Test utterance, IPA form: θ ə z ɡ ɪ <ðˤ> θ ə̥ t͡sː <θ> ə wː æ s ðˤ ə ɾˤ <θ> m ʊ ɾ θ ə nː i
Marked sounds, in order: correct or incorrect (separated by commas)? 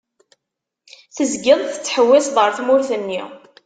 correct, incorrect, correct